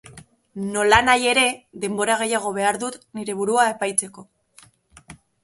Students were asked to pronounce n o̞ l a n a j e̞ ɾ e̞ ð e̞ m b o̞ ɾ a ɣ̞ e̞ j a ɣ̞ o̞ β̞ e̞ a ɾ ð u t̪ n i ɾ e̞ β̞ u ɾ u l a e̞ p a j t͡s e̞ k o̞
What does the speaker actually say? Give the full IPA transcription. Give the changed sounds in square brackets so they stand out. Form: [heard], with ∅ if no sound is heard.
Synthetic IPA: n o̞ l a n a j e̞ ɾ e̞ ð e̞ m b o̞ ɾ a ɣ̞ e̞ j a ɣ̞ o̞ β̞ e̞ a ɾ ð u t̪ n i ɾ e̞ β̞ u ɾ u [∅] a e̞ p a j t͡s e̞ k o̞